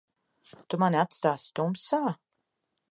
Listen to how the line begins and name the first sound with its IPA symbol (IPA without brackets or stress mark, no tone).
t̪